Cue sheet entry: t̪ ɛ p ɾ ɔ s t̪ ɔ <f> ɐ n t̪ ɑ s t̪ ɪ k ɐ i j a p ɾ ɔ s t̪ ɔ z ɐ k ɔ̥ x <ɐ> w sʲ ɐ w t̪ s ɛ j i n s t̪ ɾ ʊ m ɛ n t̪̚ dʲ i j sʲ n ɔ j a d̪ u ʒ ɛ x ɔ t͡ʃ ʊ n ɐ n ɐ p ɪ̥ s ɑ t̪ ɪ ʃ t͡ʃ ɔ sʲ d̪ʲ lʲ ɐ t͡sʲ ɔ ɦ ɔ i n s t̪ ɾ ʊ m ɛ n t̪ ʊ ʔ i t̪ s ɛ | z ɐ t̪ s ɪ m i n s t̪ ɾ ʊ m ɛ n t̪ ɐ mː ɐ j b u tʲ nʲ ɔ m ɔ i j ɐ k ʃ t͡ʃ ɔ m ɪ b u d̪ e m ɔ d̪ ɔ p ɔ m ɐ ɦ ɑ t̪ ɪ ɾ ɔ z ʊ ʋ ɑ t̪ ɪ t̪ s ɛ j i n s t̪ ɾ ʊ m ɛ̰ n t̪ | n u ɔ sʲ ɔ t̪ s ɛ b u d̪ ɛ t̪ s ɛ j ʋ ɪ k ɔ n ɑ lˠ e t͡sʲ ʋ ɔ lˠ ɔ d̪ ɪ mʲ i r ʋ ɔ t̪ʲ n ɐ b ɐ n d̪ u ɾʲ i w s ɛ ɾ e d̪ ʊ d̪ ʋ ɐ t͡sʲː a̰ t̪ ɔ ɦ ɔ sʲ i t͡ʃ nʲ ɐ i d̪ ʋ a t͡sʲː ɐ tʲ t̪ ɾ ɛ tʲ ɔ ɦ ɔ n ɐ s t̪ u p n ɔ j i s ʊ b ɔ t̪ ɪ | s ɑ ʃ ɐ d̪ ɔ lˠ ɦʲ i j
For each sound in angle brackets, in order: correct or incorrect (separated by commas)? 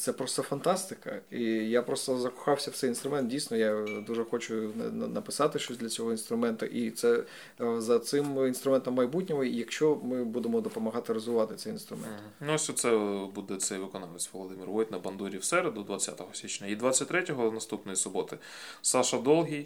correct, incorrect